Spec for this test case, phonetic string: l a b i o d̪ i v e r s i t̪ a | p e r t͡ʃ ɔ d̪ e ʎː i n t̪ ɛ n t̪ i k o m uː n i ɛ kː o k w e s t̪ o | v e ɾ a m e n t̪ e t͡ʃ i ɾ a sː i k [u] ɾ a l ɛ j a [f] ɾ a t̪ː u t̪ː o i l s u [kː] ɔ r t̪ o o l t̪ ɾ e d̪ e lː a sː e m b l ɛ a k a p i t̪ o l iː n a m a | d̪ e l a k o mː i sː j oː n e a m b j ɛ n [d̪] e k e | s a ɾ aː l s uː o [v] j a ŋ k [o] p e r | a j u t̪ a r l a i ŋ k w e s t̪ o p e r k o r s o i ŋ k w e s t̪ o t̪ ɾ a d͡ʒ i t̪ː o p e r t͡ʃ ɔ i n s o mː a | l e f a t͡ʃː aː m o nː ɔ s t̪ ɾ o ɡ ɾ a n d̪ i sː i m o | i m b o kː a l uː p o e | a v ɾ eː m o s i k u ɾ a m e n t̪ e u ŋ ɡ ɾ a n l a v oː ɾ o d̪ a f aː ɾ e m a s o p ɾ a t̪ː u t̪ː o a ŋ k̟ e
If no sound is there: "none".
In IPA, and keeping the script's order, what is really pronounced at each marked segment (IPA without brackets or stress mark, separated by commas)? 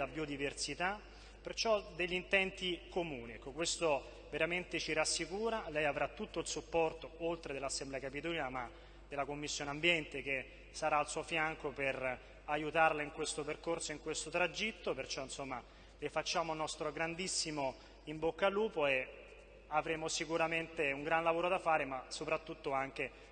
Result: uː, v, pː, t̪, f, o